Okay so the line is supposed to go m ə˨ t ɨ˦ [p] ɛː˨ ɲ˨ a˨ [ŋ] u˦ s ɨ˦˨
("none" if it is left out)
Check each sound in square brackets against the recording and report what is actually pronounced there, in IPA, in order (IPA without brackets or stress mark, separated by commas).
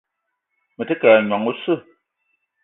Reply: k, ŋ